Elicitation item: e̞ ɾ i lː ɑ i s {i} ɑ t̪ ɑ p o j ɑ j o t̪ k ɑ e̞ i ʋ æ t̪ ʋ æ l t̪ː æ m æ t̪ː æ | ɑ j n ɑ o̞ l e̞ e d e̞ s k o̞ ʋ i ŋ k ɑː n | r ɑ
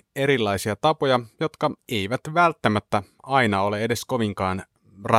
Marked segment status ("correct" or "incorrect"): correct